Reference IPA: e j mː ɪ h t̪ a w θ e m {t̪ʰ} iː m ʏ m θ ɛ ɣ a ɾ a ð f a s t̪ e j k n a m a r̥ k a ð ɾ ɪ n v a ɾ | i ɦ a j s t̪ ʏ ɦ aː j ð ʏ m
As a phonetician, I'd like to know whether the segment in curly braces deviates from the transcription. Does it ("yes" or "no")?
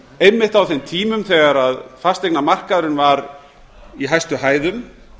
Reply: no